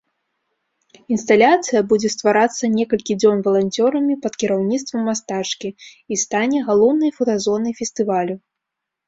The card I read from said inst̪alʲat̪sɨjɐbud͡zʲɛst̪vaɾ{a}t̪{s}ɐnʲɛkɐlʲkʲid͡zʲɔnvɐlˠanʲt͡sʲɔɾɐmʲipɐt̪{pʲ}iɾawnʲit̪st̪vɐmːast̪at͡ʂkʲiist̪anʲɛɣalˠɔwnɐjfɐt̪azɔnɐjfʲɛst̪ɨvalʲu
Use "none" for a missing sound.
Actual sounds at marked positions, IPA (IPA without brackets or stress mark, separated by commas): a, sː, kʲ